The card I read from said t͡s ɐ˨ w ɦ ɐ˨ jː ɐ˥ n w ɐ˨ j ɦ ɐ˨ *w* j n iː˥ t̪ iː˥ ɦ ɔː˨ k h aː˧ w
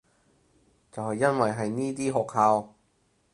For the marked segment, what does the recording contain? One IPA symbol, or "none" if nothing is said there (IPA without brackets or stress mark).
none